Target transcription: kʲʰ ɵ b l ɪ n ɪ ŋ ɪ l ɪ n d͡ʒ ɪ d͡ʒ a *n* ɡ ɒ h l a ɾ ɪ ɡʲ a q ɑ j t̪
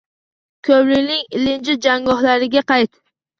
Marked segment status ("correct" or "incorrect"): incorrect